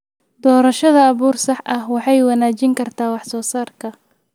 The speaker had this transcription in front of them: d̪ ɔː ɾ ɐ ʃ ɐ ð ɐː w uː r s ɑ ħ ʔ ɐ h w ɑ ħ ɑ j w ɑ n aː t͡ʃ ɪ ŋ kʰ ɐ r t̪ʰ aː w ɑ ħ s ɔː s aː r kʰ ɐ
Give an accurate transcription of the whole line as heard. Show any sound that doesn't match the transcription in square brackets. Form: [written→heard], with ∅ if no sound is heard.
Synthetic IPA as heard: d̪ ɔː ɾ ɐ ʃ ɐ ð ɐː [w→β] uː r s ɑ ħ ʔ ɐ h w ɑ ħ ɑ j w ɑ n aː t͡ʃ ɪ ŋ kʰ ɐ r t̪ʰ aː w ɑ ħ s ɔː s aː r kʰ ɐ